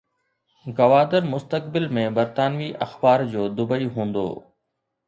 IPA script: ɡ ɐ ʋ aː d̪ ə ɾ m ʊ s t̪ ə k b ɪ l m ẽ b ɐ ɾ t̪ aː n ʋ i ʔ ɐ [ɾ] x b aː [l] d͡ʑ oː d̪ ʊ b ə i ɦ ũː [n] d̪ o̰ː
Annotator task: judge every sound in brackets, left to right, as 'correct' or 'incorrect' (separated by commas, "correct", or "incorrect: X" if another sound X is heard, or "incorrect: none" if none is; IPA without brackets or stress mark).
incorrect: none, incorrect: ɾ, correct